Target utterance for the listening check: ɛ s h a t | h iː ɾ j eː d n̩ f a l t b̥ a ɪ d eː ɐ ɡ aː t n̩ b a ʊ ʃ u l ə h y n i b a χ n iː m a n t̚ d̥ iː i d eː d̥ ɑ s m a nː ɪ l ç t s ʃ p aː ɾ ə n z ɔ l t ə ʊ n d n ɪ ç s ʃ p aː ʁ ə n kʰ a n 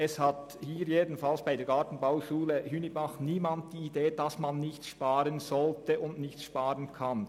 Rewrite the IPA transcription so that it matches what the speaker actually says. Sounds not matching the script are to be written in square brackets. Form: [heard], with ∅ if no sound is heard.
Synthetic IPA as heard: ɛ s h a t | h iː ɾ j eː d n̩ f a l [s] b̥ a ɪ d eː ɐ ɡ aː t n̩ b a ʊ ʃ [uː] l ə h y n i b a χ n iː m a n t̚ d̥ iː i d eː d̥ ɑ s m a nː ɪ [∅] ç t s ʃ p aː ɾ ə n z ɔ l t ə ʊ n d n ɪ ç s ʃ p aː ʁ ə n kʰ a n

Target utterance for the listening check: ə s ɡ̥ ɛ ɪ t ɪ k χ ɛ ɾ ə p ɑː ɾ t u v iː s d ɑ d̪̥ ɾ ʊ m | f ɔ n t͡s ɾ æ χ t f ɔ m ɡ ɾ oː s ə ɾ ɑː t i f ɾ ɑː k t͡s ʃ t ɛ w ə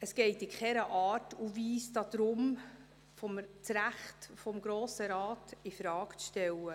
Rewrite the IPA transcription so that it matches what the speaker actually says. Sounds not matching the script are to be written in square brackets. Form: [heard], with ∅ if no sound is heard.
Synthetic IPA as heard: ə s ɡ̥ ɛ ɪ t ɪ k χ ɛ ɾ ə [ʔ] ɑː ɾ t u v iː s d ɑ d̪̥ ɾ ʊ m | f ɔ [m] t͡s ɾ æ χ t f ɔ m ɡ ɾ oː s ə ɾ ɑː t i f ɾ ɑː k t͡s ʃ t ɛ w ə

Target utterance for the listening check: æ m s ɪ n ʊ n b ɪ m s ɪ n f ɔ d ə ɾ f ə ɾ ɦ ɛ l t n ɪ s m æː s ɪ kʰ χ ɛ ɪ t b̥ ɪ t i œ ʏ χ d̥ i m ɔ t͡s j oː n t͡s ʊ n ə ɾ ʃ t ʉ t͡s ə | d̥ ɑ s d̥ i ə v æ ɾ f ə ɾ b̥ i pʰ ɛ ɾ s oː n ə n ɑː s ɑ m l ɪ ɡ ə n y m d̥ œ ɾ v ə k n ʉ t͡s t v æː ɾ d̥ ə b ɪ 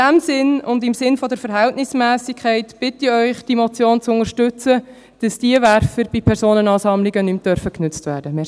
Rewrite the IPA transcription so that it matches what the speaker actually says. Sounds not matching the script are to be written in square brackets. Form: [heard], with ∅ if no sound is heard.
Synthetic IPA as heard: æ m s ɪ n ʊ n [d] ɪ m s ɪ n f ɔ d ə ɾ f ə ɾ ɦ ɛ l t n ɪ s m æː s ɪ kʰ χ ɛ ɪ t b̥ ɪ t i œ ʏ χ d̥ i m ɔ t͡s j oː n t͡s ʊ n ə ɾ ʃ t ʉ t͡s ə | d̥ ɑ s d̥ i ə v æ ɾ f ə ɾ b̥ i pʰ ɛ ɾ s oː n ə n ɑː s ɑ m l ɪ ɡ ə n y m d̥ œ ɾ [f] ə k n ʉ t͡s t v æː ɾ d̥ ə [m] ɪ

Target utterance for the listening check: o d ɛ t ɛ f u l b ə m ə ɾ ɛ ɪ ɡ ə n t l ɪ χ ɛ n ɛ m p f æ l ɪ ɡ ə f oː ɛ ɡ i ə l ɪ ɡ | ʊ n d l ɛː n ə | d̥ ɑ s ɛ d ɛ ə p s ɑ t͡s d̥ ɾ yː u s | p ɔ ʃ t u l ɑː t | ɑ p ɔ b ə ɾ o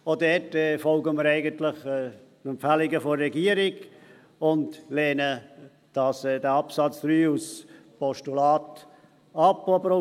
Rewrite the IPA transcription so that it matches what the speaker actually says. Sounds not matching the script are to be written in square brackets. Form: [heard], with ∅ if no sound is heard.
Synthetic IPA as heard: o d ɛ t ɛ f [ɔ] l [ɡ] ə m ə ɾ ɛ ɪ ɡ ə n t l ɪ χ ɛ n ɛ m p f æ l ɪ ɡ ə f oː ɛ ɡ i ə [ɾ] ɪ ɡ | ʊ n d l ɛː n ə | d̥ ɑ s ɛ d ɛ [ɑ] p s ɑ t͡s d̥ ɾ yː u s | p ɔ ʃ t u l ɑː t | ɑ p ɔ b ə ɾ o

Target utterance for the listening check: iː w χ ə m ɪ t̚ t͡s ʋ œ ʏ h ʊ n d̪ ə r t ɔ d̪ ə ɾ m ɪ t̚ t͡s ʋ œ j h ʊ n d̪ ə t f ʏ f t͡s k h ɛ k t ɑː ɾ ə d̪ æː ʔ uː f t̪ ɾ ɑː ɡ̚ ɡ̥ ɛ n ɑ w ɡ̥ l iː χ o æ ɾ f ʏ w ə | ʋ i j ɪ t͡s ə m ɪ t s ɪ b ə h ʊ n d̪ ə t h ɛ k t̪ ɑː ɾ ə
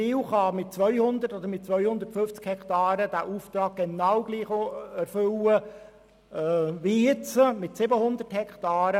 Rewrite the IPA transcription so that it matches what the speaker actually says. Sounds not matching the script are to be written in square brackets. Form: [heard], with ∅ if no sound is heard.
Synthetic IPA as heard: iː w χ [ɑ] m ɪ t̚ t͡s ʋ œ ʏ h ʊ n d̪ ə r t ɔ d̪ ə ɾ m ɪ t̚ t͡s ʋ œ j h ʊ n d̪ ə t f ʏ f t͡s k h ɛ k t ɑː ɾ ə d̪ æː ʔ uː f t̪ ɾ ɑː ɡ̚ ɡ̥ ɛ n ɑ w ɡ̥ l iː χ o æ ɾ f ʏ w ə | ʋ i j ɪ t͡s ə m ɪ t s ɪ b ə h ʊ n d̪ ə t h ɛ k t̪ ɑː ɾ ə

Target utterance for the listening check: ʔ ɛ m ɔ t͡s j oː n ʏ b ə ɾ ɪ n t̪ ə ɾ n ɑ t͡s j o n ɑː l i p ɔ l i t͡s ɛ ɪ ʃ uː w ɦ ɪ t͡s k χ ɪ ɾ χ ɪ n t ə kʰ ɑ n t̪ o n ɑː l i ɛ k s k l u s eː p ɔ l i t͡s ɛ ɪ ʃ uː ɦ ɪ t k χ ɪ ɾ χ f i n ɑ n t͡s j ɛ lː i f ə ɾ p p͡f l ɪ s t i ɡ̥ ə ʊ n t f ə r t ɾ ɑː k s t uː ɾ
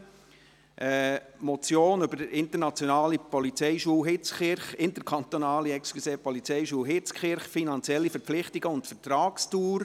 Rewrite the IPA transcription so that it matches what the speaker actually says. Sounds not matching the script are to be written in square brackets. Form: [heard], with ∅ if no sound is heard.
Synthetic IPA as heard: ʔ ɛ m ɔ t͡s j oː n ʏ b ə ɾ ɪ n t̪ ə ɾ n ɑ t͡s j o n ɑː l i p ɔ l i t͡s ɛ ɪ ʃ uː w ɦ ɪ t͡s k χ ɪ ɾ χ ɪ n t ə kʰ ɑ n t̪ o n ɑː l i ɛ k s k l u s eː p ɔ l i t͡s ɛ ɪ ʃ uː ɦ ɪ [t͡s] k χ ɪ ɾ χ f i n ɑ n t͡s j ɛ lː i f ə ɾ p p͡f l ɪ [χ] t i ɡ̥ ə ʊ n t f ə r t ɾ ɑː k s t uː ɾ

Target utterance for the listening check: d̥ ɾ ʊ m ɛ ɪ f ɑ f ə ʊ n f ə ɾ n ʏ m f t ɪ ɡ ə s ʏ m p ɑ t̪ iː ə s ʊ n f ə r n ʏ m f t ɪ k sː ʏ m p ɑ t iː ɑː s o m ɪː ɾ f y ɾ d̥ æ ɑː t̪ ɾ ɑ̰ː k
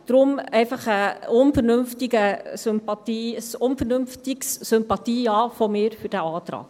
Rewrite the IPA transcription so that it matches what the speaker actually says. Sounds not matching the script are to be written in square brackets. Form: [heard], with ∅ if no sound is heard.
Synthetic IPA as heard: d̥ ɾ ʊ m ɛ ɪ f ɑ [χ] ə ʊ n f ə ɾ n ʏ m f t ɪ ɡ ə s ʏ m p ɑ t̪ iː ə s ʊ n f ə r n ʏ m f t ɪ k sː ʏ m p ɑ t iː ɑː [f] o m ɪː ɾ f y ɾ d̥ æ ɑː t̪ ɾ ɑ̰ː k

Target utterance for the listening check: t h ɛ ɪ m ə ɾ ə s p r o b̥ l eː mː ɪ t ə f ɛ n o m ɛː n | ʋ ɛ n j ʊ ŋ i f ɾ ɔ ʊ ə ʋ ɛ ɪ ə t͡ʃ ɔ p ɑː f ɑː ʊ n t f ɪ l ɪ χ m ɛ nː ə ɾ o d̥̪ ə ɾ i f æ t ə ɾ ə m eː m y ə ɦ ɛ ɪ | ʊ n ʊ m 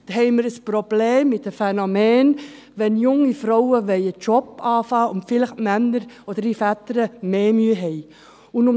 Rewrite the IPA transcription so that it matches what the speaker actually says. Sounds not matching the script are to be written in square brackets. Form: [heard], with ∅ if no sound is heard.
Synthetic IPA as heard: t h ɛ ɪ m ə ɾ ə s p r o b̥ l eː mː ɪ t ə f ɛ n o m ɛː n | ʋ ɛ n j ʊ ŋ i f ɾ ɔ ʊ ə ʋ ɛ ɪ ə t͡ʃ ɔ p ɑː f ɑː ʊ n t f ɪ l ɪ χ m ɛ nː ə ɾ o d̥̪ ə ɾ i f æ t ə ɾ ə m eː m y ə ɦ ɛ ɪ | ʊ n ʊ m

